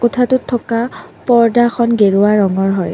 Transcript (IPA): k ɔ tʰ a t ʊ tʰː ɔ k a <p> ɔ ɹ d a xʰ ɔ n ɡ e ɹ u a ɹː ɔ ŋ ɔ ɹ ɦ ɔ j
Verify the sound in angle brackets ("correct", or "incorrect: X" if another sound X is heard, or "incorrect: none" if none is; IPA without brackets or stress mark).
correct